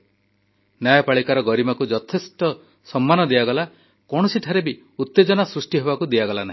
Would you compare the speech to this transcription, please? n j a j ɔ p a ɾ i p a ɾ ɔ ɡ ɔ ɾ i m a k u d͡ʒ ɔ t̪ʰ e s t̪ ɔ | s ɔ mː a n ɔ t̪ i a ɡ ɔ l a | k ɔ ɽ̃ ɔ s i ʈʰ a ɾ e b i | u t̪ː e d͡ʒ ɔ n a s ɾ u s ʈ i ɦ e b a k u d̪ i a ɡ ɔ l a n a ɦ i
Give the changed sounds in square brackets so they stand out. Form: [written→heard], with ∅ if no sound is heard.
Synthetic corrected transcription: n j a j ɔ p a [ɾ→ɭ] i [p→k] a ɾ ɔ ɡ ɔ ɾ i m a k u d͡ʒ ɔ t̪ʰ e s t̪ ɔ | s ɔ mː a n ɔ [t̪→d̪] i a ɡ ɔ l a | k ɔ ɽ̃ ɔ s i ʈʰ a ɾ e b i | u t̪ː e d͡ʒ ɔ n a s ɾ u s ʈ i ɦ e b a k u d̪ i a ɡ ɔ l a n a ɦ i